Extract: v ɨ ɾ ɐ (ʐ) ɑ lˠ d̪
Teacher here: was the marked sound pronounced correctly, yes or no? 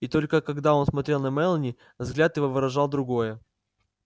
yes